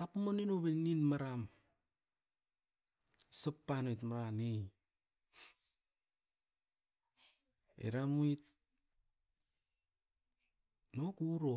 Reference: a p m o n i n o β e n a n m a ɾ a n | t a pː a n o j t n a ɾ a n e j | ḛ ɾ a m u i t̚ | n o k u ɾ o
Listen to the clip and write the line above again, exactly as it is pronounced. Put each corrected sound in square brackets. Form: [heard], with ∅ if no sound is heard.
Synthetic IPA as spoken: a p m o n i n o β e n [i] n m a ɾ a [m] | [s] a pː a n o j t [m] a ɾ a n e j | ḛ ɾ a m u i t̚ | n o k u ɾ o